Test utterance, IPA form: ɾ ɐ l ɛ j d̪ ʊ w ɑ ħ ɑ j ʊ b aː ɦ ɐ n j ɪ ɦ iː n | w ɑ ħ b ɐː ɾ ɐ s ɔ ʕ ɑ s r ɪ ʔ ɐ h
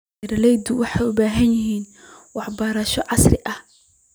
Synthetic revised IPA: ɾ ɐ l ɛ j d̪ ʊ w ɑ ħ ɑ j ʊ b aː ɦ ɐ n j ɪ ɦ iː n | w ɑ ħ b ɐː ɾ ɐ ʃ ɔ ʕ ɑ s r ɪ ʔ ɐ h